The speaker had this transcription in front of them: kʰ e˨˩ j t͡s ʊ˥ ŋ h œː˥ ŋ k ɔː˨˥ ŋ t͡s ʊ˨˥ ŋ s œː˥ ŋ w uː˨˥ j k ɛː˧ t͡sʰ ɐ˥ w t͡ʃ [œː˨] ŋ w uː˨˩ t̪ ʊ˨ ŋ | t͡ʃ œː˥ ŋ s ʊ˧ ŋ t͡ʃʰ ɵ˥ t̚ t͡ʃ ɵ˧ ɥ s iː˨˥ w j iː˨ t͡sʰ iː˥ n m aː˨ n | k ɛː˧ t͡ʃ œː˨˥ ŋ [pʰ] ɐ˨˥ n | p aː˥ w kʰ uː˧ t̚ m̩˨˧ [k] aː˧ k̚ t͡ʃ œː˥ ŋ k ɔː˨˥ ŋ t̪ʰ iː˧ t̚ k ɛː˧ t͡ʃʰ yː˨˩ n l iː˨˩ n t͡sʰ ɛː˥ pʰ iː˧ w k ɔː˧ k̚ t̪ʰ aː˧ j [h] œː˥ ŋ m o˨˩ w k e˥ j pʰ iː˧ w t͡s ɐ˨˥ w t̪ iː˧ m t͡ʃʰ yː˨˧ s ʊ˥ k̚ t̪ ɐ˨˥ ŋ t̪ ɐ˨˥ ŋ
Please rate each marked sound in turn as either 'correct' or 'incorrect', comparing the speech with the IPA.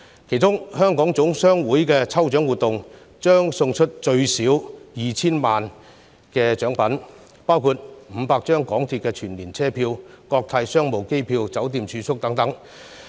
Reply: incorrect, incorrect, incorrect, incorrect

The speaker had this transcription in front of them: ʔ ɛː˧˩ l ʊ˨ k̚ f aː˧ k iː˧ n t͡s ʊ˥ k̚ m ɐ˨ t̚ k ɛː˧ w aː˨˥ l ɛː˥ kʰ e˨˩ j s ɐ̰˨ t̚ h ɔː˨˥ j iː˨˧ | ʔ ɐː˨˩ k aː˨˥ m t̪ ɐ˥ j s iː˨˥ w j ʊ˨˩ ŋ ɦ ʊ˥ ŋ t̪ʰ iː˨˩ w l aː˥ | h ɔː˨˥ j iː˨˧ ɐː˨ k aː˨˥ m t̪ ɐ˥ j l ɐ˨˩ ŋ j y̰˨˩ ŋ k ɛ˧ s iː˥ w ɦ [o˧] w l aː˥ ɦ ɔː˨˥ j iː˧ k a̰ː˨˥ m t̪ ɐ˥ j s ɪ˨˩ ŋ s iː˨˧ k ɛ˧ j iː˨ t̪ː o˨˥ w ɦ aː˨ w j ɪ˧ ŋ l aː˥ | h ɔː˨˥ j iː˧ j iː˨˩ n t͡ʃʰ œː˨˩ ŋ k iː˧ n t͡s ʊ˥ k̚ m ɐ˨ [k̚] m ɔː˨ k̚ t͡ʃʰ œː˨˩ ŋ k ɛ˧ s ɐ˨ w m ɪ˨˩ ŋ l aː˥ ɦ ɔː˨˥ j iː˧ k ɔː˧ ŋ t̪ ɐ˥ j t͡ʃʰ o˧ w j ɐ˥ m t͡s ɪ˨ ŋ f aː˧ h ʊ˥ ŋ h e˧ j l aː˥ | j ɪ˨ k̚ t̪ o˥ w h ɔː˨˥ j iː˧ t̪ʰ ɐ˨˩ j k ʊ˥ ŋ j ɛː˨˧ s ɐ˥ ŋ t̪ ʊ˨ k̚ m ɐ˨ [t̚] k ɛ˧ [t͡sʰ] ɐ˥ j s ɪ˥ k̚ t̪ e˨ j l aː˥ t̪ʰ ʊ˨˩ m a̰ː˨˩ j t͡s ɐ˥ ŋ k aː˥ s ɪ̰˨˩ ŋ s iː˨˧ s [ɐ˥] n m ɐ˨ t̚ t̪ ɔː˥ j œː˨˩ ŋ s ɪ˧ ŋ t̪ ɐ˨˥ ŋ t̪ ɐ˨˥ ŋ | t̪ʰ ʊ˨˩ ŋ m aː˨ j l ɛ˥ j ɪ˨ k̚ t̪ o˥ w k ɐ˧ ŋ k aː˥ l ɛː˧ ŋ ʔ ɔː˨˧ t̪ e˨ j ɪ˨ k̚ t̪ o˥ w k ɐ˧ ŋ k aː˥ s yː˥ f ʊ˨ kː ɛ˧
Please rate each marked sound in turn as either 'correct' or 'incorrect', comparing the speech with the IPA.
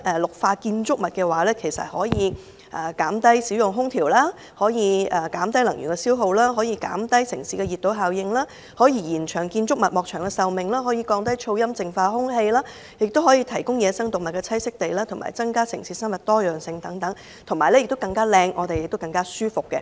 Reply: correct, incorrect, correct, correct, correct

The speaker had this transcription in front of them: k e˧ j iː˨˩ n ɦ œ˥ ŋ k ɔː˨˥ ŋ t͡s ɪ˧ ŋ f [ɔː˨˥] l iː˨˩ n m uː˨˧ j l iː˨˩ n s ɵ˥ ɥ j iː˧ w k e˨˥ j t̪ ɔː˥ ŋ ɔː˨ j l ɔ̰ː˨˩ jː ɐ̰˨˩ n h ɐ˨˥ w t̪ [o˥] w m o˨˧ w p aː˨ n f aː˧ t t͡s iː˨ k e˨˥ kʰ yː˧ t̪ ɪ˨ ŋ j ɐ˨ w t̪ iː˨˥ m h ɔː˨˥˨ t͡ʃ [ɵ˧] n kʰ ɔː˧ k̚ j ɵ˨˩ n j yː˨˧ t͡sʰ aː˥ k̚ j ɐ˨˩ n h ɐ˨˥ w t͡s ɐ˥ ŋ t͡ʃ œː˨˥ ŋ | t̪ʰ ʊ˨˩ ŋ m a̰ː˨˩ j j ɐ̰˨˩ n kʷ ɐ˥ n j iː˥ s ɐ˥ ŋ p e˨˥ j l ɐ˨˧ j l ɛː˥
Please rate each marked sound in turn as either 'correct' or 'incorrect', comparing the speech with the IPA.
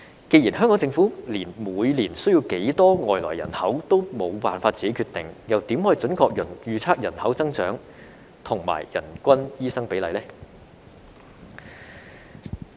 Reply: incorrect, correct, incorrect

